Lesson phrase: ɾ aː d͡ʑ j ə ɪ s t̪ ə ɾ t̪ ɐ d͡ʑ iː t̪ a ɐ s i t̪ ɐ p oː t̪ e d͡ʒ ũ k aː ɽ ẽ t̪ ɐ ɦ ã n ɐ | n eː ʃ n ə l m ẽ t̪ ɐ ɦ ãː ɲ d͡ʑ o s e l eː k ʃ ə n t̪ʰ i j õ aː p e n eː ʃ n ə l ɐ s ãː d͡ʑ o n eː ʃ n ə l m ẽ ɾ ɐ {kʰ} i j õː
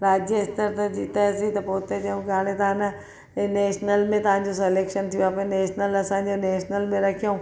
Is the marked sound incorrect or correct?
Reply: correct